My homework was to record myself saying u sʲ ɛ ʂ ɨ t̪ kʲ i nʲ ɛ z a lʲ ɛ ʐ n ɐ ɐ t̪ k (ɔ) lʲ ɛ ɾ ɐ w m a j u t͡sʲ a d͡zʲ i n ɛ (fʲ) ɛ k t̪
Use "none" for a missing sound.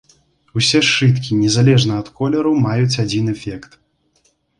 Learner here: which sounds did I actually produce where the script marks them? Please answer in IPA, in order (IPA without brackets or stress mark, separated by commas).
ɔ, fʲ